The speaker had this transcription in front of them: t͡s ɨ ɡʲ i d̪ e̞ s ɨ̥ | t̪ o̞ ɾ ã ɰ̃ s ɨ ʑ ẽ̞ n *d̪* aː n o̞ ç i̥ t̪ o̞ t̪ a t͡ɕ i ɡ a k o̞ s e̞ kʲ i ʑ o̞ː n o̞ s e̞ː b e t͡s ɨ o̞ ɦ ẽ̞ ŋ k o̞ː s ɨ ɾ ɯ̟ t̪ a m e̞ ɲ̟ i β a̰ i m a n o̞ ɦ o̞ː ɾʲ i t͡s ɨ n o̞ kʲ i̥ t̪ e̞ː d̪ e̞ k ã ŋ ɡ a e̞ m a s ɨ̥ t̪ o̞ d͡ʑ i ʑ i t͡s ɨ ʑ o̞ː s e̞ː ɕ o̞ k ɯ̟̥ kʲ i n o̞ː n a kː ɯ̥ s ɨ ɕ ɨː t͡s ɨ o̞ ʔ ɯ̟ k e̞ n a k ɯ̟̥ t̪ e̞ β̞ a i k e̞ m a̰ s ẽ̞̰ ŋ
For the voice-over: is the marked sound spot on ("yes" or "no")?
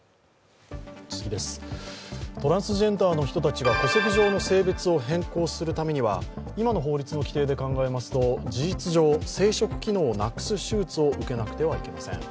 no